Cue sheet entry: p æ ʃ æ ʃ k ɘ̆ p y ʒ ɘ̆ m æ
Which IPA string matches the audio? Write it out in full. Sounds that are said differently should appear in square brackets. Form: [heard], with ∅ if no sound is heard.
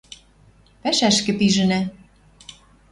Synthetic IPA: p æ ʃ æ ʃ k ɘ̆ p [i] ʒ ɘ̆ [n] æ